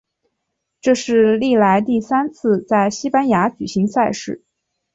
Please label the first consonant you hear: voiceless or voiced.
voiceless